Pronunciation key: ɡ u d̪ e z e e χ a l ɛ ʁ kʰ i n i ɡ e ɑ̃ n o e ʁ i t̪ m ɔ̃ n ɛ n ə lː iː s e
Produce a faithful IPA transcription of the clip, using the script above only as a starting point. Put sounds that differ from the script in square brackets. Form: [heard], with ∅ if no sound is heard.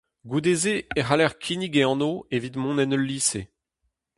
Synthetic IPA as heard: ɡ u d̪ e z e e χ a l ɛ ʁ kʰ i n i ɡ e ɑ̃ n o e [v] i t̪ m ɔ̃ n ɛ n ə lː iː s e